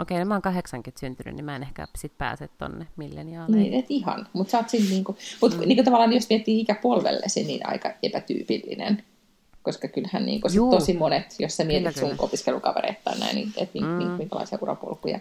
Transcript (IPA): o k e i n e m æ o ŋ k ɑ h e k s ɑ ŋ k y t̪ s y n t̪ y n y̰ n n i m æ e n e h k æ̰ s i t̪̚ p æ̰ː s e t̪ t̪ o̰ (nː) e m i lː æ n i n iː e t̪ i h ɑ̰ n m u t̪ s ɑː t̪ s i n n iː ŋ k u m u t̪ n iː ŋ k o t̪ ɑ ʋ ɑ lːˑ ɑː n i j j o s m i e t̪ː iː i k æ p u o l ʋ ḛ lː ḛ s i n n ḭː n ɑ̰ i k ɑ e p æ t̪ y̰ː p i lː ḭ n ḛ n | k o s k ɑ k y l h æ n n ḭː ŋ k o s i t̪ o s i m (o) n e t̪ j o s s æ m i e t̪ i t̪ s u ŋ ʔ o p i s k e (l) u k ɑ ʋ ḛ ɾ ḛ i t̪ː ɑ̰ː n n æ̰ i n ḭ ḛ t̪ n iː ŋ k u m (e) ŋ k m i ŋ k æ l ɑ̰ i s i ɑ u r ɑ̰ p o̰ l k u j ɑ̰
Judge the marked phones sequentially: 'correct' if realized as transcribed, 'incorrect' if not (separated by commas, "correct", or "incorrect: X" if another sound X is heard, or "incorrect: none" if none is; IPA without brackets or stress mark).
correct, correct, correct, incorrect: i